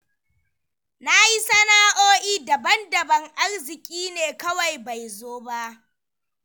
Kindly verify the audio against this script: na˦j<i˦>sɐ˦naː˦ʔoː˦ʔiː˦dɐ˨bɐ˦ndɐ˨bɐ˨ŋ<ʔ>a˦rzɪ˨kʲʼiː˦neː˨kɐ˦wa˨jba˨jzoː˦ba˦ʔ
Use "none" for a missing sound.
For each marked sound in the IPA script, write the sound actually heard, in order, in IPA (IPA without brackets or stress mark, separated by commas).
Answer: i˦, ʔ